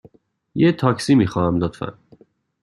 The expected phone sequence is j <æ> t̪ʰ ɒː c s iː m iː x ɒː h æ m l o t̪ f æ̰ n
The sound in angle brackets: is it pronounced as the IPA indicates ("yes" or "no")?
no